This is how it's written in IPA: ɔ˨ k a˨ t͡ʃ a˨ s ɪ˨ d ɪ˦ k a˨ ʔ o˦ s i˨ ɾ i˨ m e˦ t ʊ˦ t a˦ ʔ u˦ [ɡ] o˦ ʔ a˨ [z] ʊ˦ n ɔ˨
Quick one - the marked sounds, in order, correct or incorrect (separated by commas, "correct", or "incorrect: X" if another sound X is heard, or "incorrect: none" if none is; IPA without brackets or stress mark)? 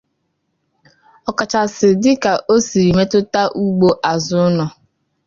incorrect: ɡ͡b, correct